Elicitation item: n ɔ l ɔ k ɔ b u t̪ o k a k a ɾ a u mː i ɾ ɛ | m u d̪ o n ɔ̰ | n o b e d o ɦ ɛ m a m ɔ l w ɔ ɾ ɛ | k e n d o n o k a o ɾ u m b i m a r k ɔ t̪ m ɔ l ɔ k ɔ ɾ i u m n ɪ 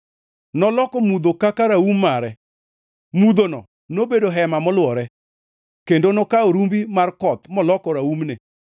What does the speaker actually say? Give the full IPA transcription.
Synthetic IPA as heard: n ɔ l ɔ k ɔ m u d̪ o k a k a ɾ a u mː a ɾ ɛ | m u d̪ o n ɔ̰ | n o b e d o ɦ ɛ m a m ɔ l w ɔ ɾ ɛ | k e n d o n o k a o ɾ u m b i m a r k ɔ t̪ m ɔ l ɔ k ɔ ɾ a u m n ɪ